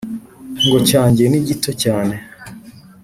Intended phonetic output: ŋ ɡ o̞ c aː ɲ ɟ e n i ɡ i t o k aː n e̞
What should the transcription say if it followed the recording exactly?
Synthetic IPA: ŋ ɡ o̞ c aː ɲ ɟ e n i ɟ i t o c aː n e̞